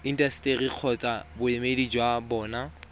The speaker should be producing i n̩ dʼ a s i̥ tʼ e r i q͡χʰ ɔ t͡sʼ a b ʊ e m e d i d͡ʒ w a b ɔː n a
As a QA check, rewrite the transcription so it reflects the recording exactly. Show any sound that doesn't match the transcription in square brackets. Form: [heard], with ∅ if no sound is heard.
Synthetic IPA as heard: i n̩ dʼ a s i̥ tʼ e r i q͡χʰ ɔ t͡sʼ a b ʊ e m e d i d͡ʒ w a b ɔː n a